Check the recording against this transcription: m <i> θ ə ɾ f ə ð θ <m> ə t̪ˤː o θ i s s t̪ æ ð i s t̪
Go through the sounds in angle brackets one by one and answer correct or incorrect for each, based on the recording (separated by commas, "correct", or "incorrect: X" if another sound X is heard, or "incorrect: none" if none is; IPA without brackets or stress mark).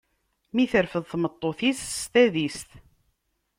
correct, correct